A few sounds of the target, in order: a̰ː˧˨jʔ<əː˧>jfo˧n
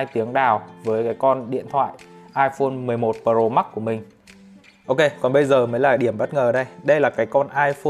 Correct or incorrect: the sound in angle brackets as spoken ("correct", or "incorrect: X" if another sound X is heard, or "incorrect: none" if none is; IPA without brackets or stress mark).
incorrect: aː˧